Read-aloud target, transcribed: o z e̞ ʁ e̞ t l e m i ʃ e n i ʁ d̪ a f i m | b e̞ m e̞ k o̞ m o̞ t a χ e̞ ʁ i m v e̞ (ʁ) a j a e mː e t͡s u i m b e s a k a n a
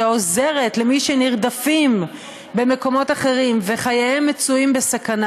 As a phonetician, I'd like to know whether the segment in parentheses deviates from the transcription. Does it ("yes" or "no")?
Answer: yes